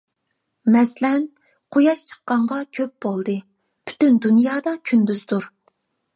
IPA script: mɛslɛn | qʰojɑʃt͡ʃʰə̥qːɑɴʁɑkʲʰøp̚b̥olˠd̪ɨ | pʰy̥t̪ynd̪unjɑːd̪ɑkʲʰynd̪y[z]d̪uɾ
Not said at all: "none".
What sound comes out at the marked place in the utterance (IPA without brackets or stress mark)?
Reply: z